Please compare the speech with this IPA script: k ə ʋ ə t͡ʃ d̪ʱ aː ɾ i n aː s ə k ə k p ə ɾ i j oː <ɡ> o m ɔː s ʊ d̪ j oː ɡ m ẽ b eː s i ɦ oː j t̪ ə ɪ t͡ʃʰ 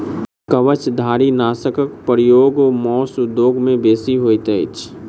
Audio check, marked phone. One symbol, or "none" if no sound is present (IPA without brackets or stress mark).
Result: ɡ